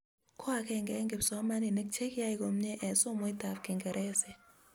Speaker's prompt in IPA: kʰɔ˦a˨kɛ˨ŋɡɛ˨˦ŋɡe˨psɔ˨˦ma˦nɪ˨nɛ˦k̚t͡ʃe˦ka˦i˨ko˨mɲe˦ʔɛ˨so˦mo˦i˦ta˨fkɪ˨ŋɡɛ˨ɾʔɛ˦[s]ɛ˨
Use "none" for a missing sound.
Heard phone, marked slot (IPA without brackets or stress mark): s